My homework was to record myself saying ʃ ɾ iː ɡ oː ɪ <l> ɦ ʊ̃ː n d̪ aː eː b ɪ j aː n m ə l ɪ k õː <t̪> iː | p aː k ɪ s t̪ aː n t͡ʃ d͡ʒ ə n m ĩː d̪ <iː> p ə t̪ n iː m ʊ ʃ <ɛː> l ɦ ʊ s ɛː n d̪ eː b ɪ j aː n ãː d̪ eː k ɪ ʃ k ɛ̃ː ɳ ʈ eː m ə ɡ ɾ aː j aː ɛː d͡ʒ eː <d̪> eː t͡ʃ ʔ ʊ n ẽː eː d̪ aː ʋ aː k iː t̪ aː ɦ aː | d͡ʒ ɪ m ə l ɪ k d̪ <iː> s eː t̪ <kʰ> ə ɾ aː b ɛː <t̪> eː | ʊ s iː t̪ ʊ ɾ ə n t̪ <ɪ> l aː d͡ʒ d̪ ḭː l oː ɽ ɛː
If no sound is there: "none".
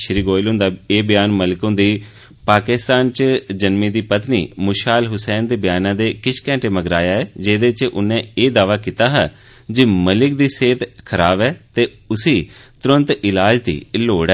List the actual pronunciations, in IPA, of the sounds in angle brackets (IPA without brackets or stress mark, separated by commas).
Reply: l, d̪, iː, aː, d̪, iː, kʰ, t̪, ɪ